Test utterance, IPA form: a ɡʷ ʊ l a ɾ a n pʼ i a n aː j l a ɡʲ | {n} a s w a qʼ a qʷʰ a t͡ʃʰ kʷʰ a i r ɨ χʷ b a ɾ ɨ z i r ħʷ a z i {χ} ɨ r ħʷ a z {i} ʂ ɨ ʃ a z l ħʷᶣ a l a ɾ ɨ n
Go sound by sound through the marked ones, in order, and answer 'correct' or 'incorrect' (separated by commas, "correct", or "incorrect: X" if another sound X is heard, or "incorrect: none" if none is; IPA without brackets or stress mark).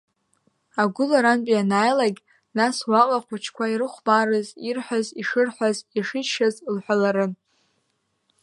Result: correct, incorrect: ʂ, correct